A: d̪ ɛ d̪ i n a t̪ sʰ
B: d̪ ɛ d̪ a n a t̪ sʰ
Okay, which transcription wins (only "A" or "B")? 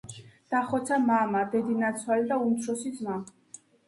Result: A